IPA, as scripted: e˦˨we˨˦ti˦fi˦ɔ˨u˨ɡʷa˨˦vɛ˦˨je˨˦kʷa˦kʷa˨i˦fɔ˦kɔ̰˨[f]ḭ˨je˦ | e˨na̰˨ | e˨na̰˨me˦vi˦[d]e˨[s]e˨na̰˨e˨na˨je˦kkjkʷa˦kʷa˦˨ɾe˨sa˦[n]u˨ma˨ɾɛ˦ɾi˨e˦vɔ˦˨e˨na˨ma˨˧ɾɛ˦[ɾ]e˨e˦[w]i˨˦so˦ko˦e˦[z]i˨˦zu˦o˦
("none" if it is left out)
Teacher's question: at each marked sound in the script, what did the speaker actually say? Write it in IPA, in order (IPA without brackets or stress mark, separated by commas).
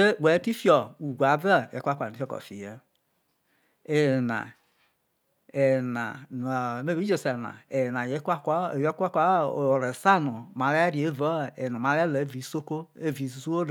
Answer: f, d͡ʒ, s, n, l, v, v